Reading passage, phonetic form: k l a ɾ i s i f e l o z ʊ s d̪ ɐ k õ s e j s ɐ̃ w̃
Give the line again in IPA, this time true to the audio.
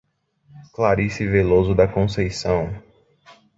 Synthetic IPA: k l a ɾ i s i v e l o z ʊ d̪ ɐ k õ s e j s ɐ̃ w̃